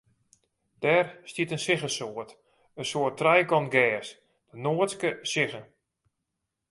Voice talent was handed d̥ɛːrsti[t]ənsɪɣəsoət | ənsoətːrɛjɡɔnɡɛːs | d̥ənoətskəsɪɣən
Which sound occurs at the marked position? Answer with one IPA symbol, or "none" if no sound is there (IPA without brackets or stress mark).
t